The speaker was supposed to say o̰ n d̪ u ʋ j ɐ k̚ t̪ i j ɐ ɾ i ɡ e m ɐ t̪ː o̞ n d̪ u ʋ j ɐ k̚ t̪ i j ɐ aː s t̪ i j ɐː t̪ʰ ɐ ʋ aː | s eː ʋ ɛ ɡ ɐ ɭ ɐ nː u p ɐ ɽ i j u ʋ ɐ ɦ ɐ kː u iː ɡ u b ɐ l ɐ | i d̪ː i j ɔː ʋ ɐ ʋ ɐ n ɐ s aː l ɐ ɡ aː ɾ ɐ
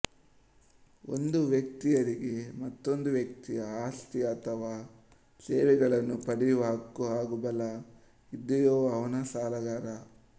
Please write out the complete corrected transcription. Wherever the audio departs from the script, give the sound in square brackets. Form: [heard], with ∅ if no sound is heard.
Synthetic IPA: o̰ n d̪ u ʋ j ɐ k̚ t̪ i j ɐ ɾ i ɡ e m ɐ t̪ː o̞ n d̪ u ʋ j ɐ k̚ t̪ i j ɐ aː s t̪ i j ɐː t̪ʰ ɐ ʋ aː | s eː ʋ ɛ ɡ ɐ ɭ ɐ nː u p ɐ ɽ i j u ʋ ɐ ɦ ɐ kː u [aː] ɡ u b ɐ l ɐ | i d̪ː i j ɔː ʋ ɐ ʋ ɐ n ɐ s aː l ɐ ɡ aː ɾ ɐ